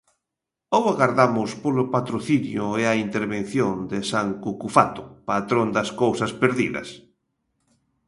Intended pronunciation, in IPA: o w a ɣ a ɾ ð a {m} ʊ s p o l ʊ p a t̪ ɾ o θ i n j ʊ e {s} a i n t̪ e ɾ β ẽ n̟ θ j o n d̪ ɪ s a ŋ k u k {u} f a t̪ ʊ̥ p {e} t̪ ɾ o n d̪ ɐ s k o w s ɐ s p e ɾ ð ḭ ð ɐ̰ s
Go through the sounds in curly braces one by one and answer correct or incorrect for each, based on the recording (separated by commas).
correct, incorrect, correct, incorrect